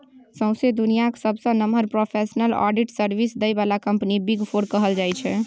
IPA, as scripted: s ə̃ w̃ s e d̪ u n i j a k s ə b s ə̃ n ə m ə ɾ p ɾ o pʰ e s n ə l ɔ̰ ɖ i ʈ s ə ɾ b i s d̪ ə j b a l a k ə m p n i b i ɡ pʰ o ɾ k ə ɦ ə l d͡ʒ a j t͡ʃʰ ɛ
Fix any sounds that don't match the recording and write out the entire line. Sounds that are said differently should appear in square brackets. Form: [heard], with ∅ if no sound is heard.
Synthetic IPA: s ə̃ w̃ s e d̪ u n i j a k s ə b s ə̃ n ə m ə ɾ p ɾ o pʰ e s n ə l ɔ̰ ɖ i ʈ s ə ɾ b i s d̪ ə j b a l a k ə m p n i b i ɡ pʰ o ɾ k ə ɦ ə l d͡ʒ a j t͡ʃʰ ɛ